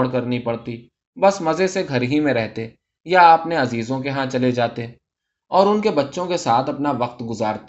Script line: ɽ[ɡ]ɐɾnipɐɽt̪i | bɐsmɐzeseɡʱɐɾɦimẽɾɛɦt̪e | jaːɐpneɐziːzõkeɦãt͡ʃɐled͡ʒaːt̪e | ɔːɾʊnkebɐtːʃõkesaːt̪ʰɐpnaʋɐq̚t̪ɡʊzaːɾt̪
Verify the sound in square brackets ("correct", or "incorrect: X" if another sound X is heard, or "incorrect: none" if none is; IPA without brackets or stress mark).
incorrect: k